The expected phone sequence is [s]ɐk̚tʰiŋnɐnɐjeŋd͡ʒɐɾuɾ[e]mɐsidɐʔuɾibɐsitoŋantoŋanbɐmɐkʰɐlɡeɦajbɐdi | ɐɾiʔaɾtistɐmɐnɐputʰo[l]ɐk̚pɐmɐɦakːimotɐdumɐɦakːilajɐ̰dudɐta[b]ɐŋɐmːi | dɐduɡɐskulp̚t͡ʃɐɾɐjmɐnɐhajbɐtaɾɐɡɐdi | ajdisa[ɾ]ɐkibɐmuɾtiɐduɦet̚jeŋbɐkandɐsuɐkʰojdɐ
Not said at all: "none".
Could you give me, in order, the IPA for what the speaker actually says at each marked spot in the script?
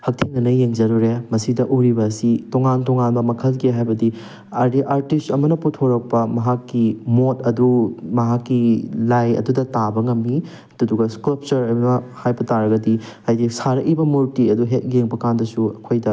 h, e, ɾ, b, ɾ

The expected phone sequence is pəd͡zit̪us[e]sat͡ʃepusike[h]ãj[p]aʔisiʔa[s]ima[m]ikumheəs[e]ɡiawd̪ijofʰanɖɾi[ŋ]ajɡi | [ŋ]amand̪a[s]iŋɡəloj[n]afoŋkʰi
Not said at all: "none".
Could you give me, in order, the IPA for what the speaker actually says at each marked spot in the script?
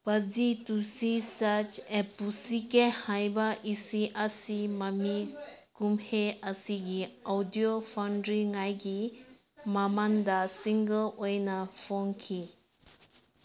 i, h, b, s, m, i, ŋ, m, s, n

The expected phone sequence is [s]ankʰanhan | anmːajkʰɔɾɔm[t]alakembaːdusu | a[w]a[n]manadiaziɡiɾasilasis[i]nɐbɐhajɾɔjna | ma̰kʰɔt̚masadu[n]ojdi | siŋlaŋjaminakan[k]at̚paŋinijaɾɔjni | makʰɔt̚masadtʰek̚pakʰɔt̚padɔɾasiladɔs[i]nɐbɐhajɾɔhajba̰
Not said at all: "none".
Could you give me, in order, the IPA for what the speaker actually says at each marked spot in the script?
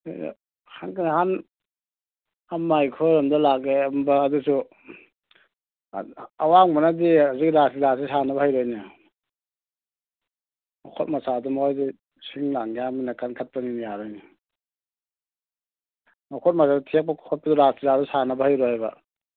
h, d, w, ŋ, a, m, kʰ, a

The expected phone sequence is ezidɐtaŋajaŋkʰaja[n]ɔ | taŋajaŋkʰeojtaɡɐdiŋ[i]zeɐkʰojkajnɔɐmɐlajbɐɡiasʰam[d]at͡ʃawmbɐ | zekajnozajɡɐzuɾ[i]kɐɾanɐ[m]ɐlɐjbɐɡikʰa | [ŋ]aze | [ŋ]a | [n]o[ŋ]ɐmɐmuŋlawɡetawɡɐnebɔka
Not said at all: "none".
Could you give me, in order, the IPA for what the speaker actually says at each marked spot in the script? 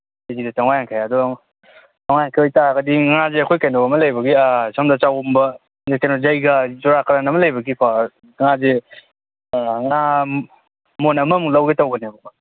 d, a, d, a, m, ŋ, ŋ, m, n

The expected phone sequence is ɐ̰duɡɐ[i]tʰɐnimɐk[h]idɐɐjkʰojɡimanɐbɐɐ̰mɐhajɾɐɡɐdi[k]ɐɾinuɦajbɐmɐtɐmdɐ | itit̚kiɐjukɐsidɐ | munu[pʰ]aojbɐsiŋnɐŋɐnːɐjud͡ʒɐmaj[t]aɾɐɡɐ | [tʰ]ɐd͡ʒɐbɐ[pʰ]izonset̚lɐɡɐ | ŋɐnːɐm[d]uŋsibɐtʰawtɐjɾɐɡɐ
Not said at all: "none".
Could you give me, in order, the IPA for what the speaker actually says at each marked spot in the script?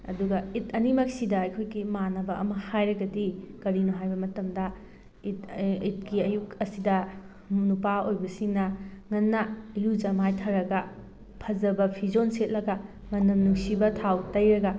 i, s, k, p, tʰ, pʰ, pʰ, n

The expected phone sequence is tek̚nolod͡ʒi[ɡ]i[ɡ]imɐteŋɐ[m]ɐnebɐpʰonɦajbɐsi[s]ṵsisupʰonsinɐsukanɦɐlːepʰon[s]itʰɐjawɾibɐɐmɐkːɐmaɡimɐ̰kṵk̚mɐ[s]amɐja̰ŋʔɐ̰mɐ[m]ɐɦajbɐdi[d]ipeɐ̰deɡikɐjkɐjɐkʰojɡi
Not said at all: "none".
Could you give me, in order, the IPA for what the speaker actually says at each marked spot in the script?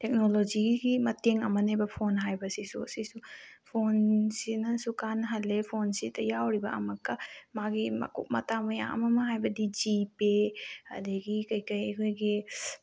ɡ, ɡ, m, s, s, t, m, d͡ʒ

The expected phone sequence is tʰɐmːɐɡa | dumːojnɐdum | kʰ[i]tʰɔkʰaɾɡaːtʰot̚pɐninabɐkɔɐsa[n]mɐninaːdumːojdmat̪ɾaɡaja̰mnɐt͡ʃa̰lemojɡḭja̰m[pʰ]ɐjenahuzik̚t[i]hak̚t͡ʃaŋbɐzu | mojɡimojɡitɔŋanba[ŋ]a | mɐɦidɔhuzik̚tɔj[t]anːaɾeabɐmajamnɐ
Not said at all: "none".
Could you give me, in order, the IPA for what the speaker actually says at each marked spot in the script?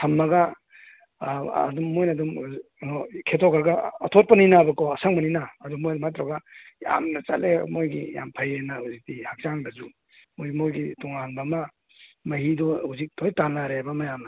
e, ŋ, pʰ, i, m, t

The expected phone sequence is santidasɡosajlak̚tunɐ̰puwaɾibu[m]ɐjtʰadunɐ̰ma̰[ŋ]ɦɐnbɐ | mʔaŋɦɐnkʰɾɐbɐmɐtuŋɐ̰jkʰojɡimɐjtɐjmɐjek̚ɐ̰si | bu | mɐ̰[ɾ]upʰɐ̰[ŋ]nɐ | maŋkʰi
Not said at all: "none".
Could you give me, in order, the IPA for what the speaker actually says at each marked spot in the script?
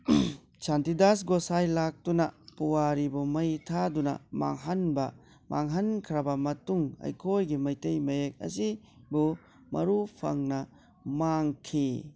m, ŋ, ɾ, ŋ

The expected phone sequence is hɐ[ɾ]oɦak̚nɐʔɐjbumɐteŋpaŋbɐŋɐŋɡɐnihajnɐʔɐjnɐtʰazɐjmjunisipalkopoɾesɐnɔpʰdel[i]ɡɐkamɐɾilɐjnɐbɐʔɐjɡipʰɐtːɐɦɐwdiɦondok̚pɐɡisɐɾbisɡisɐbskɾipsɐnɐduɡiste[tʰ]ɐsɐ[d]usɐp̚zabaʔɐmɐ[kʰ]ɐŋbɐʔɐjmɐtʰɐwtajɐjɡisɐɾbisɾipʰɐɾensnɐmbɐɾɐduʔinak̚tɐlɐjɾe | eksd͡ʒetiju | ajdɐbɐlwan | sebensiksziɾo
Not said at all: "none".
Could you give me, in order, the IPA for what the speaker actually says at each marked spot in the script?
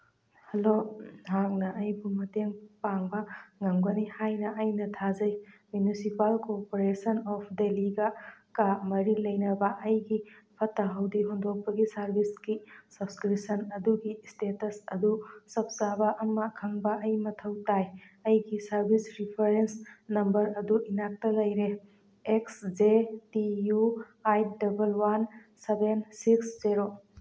l, i, t, d, kʰ

